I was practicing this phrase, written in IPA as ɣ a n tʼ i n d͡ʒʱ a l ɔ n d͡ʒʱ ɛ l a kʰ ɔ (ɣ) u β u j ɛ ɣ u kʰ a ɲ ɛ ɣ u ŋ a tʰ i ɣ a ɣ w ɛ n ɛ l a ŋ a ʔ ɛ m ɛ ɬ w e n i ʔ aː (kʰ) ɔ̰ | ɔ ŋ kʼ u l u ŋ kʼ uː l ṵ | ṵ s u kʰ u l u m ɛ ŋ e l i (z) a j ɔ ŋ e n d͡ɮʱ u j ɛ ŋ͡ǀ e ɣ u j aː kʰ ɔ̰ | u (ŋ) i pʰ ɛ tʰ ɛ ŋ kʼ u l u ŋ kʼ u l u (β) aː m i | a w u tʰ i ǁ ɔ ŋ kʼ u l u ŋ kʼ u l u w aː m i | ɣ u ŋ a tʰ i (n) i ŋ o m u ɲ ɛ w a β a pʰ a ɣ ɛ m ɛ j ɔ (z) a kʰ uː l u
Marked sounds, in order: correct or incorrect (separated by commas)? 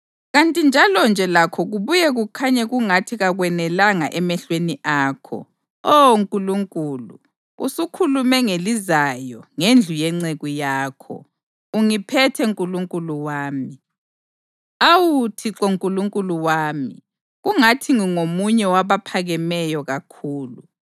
correct, correct, correct, correct, incorrect, incorrect, incorrect